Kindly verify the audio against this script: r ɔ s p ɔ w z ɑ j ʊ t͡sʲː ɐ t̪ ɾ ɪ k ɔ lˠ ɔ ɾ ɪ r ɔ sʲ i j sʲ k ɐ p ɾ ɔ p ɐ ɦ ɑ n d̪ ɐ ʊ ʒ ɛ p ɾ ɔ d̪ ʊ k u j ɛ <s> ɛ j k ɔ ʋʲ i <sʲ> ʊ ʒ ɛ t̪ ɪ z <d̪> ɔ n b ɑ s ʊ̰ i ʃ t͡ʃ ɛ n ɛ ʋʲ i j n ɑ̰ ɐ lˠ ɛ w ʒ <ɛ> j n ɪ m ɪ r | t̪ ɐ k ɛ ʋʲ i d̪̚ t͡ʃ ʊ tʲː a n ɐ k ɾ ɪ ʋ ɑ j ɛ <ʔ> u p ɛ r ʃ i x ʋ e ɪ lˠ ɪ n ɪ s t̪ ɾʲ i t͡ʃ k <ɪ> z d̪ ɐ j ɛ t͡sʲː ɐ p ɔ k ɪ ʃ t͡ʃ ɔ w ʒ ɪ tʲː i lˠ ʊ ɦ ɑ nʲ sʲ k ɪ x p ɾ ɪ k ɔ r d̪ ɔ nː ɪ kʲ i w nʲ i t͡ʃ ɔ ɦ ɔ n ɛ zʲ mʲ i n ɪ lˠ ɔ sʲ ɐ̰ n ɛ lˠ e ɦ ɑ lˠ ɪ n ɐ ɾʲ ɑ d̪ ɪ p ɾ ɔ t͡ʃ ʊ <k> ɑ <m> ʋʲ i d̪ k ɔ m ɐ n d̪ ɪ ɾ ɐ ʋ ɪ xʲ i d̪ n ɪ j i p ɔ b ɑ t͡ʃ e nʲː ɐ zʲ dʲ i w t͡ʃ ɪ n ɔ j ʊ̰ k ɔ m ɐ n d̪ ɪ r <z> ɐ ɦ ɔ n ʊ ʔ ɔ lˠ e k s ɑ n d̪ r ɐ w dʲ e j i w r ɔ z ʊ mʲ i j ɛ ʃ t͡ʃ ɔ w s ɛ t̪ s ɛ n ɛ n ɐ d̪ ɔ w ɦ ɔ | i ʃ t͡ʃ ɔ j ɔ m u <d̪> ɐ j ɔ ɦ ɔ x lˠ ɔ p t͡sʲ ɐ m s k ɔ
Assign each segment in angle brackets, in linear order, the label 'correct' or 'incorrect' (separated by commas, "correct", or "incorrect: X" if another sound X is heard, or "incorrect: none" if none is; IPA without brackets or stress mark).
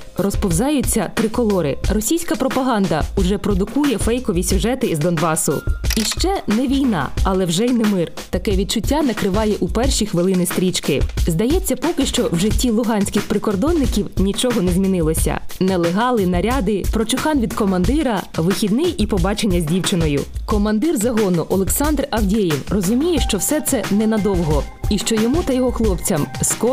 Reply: incorrect: f, correct, correct, correct, correct, correct, incorrect: x, incorrect: n, correct, incorrect: t̪